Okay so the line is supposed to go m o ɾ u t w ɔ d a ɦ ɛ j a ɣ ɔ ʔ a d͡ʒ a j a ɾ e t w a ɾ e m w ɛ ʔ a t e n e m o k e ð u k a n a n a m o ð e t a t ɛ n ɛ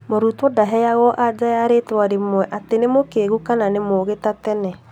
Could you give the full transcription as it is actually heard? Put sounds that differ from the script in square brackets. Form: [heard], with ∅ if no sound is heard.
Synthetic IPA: m o ɾ u t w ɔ d a ɦ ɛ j a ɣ ɔ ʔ a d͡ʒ a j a ɾ e t w a ɾ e m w ɛ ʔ a t e n e m o k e [ɣ] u k a n a n [e] m o [ɣ] e t a t ɛ n ɛ

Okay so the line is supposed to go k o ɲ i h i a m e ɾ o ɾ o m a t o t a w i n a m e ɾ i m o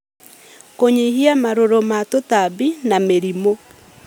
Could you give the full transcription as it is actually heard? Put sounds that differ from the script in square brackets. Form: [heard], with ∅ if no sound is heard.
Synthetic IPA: k o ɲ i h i a m [a] ɾ o ɾ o m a t o t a [b] i n a m e ɾ i m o

